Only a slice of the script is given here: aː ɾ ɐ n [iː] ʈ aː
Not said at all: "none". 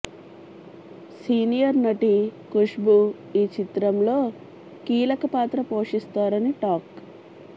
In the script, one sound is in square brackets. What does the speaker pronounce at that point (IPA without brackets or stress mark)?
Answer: i